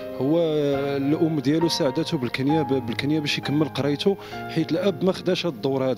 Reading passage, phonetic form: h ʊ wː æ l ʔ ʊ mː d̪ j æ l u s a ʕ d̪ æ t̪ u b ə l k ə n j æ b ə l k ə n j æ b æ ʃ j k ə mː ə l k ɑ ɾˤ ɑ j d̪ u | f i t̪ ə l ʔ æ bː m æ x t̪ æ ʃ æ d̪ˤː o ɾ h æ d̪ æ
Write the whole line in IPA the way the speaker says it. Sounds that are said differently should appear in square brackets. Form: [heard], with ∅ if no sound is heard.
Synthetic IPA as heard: h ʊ wː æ l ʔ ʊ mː d̪ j æ l u s a ʕ d̪ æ t̪ u b ə l k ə n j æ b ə l k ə n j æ b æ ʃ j k ə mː ə l [q] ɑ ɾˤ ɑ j [t̪] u | [ħ] i t̪ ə l ʔ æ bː m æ x [d̪] æ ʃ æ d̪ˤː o ɾ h æ d̪ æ